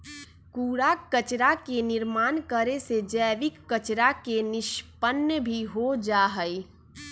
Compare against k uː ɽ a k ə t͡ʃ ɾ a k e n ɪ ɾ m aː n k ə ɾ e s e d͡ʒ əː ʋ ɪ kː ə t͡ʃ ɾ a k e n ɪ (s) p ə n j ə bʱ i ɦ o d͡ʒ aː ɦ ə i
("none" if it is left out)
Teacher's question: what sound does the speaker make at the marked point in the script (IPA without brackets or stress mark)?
ʃ